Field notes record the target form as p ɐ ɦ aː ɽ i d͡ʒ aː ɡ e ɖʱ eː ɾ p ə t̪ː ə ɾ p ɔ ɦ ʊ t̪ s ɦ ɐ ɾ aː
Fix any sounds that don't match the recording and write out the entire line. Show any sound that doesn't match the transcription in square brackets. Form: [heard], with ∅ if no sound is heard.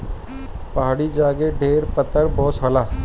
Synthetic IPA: p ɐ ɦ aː ɽ i d͡ʒ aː ɡ e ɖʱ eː ɾ p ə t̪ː ə ɾ [b] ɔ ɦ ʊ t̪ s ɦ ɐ [l] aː

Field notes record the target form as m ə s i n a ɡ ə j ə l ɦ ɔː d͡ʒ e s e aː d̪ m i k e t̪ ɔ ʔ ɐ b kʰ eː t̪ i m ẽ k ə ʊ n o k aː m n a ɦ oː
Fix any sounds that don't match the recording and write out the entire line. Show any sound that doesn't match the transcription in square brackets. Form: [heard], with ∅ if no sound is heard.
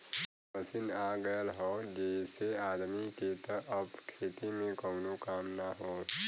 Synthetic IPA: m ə s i n a ɡ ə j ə l ɦ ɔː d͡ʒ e s e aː d̪ m i k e t̪ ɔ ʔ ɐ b kʰ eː t̪ i m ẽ k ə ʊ n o k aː m n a ɦ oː

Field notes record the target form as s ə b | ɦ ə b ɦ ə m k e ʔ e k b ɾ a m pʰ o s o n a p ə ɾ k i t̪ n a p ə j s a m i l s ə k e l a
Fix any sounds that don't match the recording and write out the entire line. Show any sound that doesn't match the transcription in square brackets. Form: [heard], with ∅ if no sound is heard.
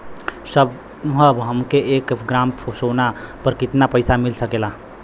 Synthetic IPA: s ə b | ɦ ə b ɦ ə m k e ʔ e k [ɡ] ɾ a m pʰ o s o n a p ə ɾ k i t̪ n a p ə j s a m i l s ə k e l a

